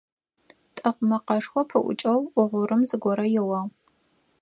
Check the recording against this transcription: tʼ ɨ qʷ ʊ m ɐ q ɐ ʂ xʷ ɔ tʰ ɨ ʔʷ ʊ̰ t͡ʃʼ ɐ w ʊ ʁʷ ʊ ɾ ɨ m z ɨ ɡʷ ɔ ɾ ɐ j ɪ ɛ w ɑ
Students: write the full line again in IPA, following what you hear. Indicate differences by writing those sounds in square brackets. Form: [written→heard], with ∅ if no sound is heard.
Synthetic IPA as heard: tʼ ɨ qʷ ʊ m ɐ q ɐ ʂ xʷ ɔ [tʰ→pʰ] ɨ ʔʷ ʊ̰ t͡ʃʼ ɐ w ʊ ʁʷ ʊ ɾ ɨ m z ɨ ɡʷ ɔ ɾ ɐ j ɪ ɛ w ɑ